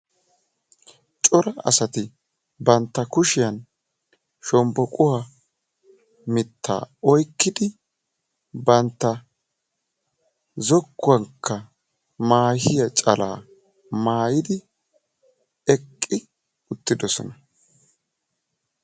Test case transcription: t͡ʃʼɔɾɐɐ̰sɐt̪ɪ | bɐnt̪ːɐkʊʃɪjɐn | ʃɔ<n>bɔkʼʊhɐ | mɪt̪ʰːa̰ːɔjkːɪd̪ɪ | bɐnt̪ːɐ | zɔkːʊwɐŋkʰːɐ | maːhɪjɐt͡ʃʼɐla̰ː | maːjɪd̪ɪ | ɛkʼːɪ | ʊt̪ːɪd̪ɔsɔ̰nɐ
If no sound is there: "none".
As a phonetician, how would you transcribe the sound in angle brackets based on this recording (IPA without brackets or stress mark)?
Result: m